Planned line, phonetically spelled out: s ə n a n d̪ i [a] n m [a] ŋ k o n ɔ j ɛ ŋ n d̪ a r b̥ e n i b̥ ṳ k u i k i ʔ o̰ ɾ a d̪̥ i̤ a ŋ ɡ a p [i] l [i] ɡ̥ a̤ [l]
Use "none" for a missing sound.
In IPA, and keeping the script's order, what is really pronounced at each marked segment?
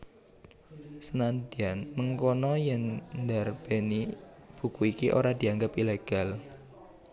a, ə, i, e, l

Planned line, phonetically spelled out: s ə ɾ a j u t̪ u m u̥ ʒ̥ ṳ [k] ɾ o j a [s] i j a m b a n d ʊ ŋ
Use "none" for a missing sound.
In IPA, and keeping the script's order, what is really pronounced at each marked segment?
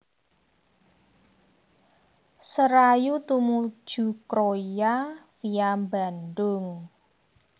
k, f

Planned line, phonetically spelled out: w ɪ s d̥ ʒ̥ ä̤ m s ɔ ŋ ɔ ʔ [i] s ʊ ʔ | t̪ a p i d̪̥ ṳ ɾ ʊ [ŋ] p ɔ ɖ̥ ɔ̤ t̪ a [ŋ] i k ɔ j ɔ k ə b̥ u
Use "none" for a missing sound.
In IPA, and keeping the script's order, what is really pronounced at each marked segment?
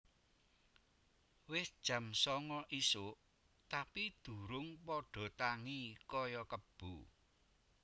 i, ŋ, ŋ

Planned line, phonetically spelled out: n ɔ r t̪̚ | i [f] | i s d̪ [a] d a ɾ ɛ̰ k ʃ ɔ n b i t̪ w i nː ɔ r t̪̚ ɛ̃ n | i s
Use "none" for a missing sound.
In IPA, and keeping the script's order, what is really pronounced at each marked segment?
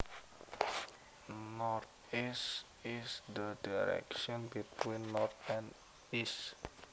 s, ə

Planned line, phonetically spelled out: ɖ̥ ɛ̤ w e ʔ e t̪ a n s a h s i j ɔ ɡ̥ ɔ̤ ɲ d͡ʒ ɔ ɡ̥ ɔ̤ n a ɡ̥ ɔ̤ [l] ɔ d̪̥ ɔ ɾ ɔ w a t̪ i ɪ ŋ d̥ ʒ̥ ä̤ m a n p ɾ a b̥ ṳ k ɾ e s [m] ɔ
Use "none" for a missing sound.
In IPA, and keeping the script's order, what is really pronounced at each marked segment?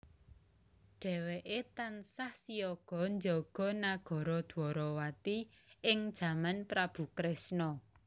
ɾ, n

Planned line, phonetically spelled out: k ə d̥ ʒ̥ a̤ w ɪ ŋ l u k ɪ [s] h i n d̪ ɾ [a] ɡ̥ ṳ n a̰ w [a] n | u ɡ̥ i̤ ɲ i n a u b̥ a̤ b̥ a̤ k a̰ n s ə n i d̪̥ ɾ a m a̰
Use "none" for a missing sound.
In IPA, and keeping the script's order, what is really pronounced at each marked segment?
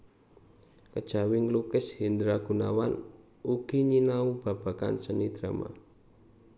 s, a, a

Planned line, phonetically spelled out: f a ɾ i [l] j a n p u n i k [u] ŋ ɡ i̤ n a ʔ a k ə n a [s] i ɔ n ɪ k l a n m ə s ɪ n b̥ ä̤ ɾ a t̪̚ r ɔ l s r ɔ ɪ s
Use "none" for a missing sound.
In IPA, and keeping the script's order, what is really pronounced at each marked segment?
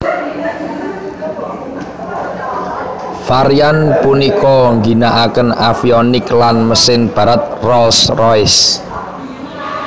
none, ɔ, f

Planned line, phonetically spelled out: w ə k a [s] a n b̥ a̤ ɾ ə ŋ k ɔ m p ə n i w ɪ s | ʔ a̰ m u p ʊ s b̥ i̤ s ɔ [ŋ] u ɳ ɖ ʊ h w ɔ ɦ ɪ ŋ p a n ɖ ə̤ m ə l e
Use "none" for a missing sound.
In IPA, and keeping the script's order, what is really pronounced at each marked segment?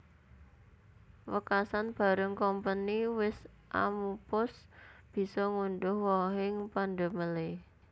s, ŋ

